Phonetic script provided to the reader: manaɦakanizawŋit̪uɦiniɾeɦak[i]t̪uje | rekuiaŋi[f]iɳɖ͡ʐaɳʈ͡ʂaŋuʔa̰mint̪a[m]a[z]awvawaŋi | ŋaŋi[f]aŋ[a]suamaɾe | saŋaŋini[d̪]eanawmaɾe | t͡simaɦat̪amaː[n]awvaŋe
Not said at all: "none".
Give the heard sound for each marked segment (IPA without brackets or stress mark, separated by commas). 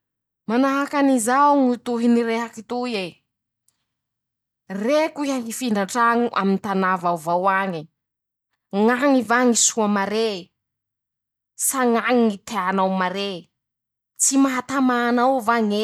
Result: i, f, n, v, v, i, t̪, n